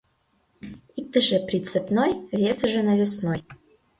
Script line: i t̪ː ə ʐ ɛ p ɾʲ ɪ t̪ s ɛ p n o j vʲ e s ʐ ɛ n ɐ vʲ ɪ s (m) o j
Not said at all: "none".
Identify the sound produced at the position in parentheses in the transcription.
n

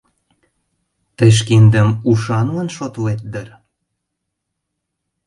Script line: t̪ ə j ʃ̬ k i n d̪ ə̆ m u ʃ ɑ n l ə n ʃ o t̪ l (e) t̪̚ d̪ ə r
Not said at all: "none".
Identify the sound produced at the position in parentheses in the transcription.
e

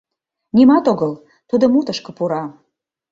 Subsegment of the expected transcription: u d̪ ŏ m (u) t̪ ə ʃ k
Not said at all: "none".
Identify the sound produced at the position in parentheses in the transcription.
u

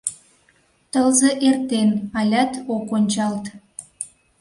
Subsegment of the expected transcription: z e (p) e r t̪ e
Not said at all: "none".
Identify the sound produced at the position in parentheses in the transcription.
ʔ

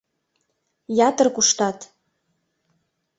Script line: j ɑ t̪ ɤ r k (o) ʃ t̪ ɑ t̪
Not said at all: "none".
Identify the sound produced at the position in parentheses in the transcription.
u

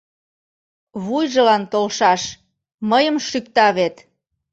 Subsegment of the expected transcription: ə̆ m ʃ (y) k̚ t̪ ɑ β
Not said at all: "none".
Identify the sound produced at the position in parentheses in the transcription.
y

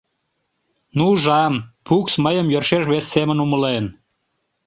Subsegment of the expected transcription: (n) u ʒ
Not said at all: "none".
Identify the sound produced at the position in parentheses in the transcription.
n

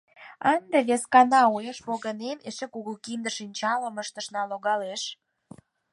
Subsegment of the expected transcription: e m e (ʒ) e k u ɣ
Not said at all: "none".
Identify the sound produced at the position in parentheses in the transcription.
ʃ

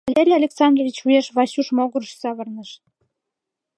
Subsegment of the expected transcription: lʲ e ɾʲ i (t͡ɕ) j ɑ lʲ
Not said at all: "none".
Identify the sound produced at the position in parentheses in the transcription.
none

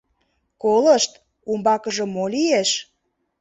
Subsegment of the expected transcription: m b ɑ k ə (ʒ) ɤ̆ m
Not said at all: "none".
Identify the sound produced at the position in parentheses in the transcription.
ʒ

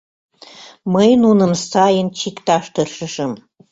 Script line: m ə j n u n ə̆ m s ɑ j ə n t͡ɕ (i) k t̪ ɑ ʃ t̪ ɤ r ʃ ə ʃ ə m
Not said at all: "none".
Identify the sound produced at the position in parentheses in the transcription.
i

